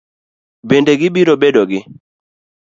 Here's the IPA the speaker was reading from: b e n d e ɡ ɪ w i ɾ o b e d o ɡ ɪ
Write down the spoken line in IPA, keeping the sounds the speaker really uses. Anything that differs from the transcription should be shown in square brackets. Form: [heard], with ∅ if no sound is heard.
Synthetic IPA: b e n d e ɡ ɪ [b] i ɾ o b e d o ɡ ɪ